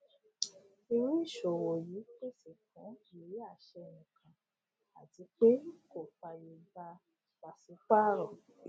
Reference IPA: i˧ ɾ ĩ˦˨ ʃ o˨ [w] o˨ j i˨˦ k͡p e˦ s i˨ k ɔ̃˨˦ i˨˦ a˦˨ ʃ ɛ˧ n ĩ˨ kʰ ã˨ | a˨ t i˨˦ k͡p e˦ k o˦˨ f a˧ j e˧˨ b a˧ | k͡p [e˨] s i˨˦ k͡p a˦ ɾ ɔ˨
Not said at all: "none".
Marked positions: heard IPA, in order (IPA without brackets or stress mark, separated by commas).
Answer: w, a˨